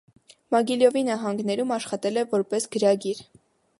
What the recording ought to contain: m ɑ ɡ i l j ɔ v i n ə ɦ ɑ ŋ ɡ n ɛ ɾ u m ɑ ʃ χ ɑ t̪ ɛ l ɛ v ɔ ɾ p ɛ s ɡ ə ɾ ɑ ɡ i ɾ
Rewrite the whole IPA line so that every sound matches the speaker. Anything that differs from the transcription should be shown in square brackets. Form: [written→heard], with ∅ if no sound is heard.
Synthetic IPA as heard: m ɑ ɡ i l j ɔ v i n [ə→ɑ] ɦ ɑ ŋ ɡ n ɛ ɾ u m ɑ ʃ χ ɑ t̪ ɛ l ɛ v ɔ ɾ p ɛ s ɡ ə ɾ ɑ ɡ i ɾ